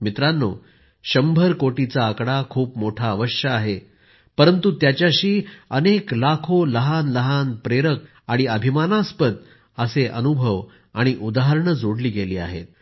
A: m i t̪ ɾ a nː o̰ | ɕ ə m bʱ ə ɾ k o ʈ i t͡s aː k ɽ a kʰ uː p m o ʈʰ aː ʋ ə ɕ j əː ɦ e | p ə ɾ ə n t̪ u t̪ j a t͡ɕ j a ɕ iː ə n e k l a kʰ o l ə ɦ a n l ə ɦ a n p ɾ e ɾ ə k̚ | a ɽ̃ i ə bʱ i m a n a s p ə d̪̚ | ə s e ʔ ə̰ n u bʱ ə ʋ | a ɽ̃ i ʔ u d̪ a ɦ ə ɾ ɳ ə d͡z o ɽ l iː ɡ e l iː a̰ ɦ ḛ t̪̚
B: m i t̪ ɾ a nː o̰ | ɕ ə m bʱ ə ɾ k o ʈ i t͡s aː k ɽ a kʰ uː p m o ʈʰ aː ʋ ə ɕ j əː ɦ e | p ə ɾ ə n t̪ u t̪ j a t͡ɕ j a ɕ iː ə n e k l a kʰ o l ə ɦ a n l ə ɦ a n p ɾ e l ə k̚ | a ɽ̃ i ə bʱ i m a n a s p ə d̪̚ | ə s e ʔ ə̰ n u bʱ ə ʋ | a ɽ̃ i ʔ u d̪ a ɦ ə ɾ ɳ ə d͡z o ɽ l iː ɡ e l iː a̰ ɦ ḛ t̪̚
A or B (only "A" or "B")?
A